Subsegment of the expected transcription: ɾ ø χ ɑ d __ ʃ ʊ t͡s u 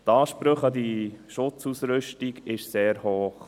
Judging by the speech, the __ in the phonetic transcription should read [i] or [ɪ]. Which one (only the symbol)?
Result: i